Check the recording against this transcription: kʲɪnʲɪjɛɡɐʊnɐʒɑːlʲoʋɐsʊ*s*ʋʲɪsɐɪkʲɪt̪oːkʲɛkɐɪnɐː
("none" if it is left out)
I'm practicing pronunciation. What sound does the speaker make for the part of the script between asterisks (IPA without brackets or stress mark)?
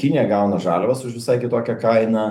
ʃ